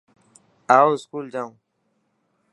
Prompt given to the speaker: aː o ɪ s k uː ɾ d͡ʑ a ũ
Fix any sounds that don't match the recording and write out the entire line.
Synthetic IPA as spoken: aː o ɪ s k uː l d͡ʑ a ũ

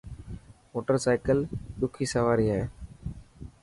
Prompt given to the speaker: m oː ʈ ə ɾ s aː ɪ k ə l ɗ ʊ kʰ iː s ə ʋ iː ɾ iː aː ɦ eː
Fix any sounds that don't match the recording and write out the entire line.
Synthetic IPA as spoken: m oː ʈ ə ɾ s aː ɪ k ə l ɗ ʊ kʰ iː s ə ʋ aː ɾ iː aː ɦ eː

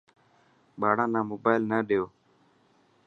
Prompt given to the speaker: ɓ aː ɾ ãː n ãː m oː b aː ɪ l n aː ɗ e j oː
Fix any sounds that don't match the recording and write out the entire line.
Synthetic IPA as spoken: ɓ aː ɽ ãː n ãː m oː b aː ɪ l n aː ɗ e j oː

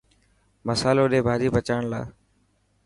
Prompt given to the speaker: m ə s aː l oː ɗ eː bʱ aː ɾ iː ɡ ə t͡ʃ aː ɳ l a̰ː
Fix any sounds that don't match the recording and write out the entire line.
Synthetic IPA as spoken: m ə s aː l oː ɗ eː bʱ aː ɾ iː b ə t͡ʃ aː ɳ l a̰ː

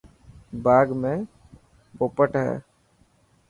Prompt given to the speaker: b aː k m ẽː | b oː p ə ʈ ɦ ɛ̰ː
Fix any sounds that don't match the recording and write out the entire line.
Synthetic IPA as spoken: b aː ɡ m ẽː | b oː p ə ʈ ɦ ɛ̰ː

